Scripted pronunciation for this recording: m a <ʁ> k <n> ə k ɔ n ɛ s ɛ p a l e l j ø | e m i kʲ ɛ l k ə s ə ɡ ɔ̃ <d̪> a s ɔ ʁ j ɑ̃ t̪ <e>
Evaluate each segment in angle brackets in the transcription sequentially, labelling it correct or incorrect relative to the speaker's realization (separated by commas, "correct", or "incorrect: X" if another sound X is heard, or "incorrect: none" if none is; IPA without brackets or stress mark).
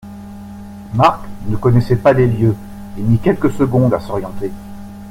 correct, correct, correct, correct